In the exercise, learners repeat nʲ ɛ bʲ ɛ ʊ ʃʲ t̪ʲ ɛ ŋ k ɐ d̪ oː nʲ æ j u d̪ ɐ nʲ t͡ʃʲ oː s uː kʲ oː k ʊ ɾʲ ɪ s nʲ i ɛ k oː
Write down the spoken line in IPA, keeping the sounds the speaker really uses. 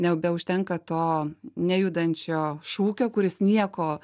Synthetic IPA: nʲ ɛ bʲ ɛ ʊ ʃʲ t̪ʲ ɛ ŋ k ɐ t̪ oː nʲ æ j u d̪ ɐ nʲ t͡ʃʲ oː ʃ uː kʲ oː k ʊ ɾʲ ɪ s nʲ i ɛ k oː